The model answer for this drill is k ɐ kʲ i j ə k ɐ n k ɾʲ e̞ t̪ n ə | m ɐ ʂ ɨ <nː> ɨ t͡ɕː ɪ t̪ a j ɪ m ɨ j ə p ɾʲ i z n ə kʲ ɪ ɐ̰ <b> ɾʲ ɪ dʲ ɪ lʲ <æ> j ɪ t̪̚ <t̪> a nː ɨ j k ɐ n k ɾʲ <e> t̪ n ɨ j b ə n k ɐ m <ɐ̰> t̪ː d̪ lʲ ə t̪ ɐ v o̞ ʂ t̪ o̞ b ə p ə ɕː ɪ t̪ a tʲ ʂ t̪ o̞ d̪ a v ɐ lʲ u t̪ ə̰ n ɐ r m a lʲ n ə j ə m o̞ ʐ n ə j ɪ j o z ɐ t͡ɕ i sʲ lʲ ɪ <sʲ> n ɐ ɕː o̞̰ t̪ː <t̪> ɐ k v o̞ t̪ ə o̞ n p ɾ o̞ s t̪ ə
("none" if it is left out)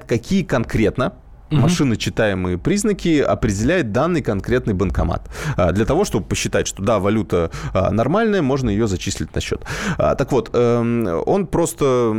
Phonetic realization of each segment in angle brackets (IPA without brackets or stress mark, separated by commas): n, p, æ, d̪, e, a̰, tʲ, t̪